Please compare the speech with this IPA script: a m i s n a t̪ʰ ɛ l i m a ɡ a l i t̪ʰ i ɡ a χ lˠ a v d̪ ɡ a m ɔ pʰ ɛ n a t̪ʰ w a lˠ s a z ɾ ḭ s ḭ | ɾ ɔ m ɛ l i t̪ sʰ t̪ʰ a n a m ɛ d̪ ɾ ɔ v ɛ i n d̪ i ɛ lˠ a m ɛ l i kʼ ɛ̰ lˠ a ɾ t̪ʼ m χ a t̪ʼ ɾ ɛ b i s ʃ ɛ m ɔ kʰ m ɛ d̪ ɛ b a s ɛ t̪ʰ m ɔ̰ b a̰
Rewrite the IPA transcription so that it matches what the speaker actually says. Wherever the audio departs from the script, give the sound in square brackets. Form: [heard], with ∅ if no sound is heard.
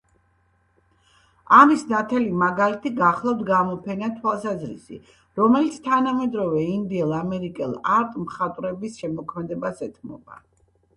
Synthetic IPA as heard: a m i s n a t̪ʰ ɛ l i m a ɡ a l i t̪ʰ i ɡ a χ lˠ a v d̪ ɡ a m ɔ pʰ ɛ n a t̪ʰ w a lˠ s a z ɾ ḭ s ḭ | ɾ ɔ m ɛ l i t̪ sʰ t̪ʰ a n a m ɛ d̪ ɾ ɔ v ɛ i n d̪ i ɛ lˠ a m ɛ [ɾ] i kʼ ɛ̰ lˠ a ɾ t̪ʼ m χ a t̪ʼ ɾ ɛ b i s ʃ ɛ m ɔ kʰ m ɛ d̪ ɛ b a s ɛ t̪ʰ m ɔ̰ b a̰